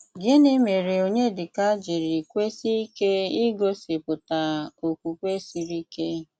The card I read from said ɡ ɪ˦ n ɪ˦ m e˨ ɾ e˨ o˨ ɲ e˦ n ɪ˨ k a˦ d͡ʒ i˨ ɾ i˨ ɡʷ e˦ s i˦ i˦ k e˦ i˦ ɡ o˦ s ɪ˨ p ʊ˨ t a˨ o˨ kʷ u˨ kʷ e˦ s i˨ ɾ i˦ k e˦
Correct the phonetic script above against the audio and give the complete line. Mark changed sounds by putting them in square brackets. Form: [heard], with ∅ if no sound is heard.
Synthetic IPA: ɡ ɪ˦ n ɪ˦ m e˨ ɾ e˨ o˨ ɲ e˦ [d] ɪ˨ k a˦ d͡ʒ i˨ ɾ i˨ [kʷ] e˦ s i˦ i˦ k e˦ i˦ ɡ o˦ s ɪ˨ p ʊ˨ t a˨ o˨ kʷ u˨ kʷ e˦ s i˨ ɾ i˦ k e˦